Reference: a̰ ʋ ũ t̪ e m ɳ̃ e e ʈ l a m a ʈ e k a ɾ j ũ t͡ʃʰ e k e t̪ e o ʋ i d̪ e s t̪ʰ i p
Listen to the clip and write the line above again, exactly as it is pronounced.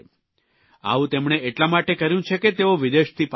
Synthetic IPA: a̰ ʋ ũ t̪ e m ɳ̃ e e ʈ l a m a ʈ e k ə ɾ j ũ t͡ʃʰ e k e t̪ e o ʋ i d̪ e ʃ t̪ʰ i p